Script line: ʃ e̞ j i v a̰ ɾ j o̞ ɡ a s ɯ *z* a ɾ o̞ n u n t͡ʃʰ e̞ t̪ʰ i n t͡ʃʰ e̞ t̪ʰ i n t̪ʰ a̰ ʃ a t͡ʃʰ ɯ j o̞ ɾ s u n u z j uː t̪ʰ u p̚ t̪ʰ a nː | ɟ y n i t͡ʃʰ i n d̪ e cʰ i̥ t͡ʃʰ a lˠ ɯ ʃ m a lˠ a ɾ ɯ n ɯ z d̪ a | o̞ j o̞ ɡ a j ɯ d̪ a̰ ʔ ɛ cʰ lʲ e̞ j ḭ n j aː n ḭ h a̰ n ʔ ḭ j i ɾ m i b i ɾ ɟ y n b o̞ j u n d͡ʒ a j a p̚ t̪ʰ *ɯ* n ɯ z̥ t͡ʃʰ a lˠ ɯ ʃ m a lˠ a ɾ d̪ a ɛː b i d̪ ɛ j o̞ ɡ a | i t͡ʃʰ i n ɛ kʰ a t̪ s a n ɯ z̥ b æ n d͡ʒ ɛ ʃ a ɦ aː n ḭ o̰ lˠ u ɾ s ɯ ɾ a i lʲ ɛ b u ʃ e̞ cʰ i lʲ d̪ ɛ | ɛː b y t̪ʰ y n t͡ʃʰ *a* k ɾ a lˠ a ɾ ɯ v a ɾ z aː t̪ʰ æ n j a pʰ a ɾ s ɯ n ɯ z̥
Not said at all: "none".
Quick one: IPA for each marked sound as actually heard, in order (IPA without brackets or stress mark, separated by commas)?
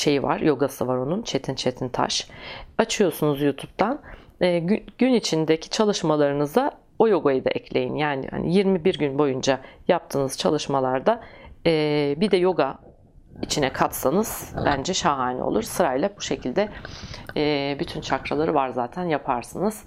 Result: v, ɯː, a